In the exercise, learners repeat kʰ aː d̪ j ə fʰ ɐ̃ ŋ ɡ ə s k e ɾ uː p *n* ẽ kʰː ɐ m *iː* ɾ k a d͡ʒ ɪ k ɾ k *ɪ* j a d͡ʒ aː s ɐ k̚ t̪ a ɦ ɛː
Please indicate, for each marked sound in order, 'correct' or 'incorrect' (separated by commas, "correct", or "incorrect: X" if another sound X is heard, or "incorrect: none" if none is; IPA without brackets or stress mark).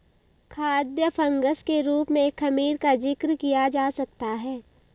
incorrect: m, correct, incorrect: i